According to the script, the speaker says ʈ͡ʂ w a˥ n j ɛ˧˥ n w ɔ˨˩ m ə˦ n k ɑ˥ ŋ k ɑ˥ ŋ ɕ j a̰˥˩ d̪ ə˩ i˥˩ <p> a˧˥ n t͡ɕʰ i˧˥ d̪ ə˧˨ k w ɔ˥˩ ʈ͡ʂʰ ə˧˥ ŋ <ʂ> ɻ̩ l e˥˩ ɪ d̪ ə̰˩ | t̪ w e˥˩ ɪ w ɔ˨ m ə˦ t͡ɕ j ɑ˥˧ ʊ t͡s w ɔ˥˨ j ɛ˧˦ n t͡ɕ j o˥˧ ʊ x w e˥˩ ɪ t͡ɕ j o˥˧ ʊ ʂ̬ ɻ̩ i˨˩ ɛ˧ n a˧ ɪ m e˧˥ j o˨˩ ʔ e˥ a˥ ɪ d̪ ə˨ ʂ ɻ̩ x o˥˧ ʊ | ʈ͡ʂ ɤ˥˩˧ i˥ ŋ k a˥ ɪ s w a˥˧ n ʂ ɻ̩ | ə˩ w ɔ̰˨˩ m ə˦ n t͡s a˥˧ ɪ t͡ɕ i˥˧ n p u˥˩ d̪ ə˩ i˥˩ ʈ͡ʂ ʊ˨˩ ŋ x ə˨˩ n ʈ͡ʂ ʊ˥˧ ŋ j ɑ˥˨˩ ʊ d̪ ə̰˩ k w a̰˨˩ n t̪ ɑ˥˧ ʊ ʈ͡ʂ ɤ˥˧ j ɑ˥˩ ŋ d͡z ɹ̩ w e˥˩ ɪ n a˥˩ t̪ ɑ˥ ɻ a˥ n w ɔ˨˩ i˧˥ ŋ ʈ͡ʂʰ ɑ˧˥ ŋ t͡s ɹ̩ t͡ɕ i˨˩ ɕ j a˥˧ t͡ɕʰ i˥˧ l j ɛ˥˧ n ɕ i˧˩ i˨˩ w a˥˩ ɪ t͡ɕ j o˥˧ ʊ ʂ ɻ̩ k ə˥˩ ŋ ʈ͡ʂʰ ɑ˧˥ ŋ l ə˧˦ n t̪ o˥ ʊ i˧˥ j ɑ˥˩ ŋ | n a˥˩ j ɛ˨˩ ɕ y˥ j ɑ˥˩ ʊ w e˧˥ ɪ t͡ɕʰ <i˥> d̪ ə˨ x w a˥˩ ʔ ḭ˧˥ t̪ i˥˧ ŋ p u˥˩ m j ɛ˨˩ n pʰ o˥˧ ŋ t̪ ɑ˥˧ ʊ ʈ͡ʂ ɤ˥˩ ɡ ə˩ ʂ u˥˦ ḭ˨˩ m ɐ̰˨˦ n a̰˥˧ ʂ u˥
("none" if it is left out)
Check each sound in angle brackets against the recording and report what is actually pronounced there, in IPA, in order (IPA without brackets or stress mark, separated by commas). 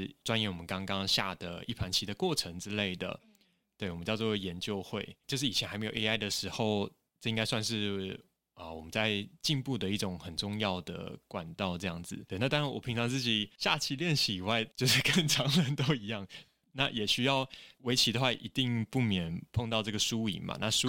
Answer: pʰ, ʈ͡ʂ, i˧˥